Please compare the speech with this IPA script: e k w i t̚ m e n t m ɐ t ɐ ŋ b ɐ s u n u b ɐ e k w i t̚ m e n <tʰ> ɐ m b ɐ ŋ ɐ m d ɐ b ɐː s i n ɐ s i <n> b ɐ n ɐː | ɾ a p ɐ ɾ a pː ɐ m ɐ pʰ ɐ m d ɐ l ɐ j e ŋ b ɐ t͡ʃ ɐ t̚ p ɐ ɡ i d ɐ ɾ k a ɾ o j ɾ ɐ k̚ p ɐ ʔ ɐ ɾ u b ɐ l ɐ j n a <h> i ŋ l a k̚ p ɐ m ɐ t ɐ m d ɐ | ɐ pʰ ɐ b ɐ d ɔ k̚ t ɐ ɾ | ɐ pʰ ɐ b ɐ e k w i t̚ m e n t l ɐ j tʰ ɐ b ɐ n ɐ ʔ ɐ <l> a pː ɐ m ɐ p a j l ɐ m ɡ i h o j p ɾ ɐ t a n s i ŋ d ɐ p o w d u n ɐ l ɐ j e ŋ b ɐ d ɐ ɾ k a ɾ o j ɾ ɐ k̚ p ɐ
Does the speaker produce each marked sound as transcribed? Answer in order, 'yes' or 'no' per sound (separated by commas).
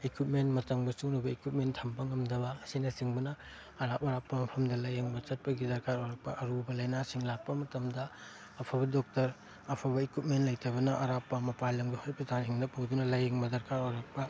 yes, no, no, no